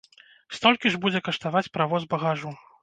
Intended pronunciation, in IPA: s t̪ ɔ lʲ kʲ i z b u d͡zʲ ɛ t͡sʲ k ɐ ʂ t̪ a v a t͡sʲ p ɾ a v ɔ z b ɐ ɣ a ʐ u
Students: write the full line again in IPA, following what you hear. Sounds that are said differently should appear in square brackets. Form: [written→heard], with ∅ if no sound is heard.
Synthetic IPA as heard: s t̪ ɔ lʲ kʲ i [z→ʐ] b u d͡zʲ ɛ [t͡sʲ→∅] k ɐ ʂ t̪ a v a t͡sʲ p ɾ a v ɔ z b ɐ ɣ a ʐ u